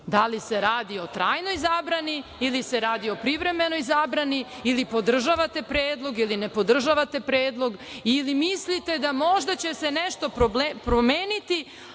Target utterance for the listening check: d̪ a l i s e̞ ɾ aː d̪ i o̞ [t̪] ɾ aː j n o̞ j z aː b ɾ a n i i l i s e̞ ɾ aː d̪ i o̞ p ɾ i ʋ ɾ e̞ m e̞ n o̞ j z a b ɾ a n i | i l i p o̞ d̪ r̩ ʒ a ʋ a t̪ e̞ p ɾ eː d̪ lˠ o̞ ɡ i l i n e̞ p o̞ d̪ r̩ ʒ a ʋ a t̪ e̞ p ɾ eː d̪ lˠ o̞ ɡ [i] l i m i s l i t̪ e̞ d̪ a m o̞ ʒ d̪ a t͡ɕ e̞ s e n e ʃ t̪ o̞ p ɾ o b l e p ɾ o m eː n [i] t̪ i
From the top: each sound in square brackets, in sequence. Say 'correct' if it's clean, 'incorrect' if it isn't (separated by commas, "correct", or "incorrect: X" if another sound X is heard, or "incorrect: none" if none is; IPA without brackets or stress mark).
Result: correct, correct, correct